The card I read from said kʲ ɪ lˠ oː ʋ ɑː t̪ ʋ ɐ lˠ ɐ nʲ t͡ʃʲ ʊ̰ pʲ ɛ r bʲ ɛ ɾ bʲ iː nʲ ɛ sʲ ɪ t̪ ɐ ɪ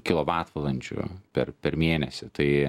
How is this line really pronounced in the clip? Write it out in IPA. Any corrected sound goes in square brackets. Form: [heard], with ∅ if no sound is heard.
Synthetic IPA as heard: kʲ ɪ lˠ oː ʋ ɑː t̪ ʋ ɐ lˠ ɐ nʲ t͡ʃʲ ʊ̰ pʲ ɛ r [pʲ] ɛ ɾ [mʲ] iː nʲ ɛ sʲ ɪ t̪ ɐ ɪ